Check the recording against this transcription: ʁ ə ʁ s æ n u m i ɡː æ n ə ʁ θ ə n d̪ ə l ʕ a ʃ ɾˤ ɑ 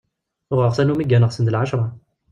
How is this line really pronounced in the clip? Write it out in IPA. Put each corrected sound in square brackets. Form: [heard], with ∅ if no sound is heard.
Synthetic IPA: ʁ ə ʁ s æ n u m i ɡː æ n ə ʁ [s] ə n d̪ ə l ʕ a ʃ ɾˤ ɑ